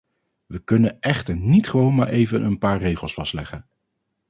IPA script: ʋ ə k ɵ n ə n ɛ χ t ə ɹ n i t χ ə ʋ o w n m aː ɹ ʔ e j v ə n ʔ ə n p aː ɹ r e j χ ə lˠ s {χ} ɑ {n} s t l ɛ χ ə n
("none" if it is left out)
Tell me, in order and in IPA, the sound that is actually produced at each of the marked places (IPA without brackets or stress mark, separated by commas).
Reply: f, none